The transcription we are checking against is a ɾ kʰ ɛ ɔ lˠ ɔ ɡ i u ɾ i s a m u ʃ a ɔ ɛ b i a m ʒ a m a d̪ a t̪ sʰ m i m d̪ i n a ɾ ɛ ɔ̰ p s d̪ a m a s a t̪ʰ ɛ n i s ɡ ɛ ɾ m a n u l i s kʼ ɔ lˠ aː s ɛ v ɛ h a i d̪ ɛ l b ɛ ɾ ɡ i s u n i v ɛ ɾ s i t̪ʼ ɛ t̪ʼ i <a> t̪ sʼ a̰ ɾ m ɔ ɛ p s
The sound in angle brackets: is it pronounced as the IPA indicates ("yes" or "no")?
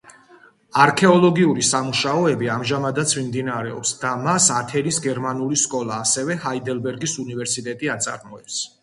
yes